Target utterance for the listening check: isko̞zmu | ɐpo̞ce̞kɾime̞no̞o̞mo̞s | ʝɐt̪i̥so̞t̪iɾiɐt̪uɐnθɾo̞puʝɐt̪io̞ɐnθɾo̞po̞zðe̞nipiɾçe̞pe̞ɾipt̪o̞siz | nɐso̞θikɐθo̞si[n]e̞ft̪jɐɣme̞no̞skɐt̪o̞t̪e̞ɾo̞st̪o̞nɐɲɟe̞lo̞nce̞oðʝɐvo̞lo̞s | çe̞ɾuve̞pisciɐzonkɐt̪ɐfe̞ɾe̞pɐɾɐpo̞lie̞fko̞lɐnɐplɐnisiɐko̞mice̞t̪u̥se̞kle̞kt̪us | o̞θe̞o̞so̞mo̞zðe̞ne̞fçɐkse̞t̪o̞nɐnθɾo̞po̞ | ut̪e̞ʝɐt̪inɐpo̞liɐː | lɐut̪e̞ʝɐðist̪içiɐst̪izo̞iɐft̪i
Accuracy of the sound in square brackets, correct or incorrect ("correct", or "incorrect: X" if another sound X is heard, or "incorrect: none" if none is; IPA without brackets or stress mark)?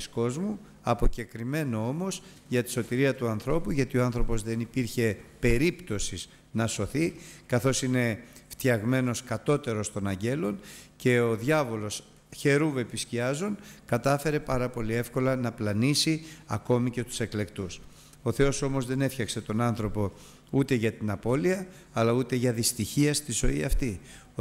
correct